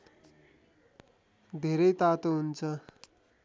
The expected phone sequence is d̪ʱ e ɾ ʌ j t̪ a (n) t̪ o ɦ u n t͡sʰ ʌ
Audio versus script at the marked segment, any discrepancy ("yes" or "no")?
yes